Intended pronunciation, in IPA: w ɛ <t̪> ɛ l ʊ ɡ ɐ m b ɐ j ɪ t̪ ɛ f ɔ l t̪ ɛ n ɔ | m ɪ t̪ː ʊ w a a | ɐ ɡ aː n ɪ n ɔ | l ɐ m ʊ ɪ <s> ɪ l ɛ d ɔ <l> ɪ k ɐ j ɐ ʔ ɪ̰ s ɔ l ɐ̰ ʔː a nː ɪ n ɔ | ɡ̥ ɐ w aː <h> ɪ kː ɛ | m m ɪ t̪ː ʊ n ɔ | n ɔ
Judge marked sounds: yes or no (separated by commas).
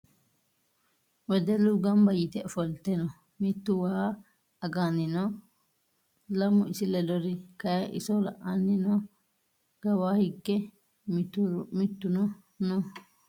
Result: no, yes, no, yes